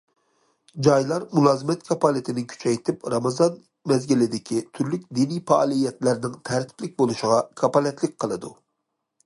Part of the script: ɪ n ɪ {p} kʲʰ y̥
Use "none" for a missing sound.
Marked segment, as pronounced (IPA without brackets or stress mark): none